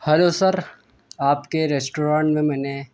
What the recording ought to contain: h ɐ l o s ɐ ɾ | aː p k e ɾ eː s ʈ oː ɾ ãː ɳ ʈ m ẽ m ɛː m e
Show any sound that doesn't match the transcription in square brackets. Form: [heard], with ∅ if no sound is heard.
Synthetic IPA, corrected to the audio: h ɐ l o s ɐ ɾ | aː p k e ɾ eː s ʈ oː ɾ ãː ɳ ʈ m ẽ m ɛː [n] e